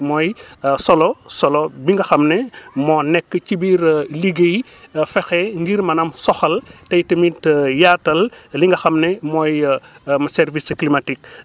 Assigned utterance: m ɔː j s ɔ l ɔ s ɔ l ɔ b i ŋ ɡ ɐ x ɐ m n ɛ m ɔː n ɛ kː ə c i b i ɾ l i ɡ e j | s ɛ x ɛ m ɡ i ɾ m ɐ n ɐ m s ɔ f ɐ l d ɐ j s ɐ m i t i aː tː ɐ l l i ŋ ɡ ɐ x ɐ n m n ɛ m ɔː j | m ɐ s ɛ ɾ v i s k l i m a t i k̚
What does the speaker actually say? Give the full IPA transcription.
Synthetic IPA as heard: m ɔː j s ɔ l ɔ s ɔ l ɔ b i ŋ ɡ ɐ x ɐ m n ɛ m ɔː n ɛ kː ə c i b i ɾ l i ɡ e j | f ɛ x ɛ ŋ ɡ i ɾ m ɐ n ɐ m s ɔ x ɐ l t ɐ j t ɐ m i t j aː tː ɐ l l i ŋ ɡ ɐ x ɐ m n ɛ m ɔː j | m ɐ s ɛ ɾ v i s k l i m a t i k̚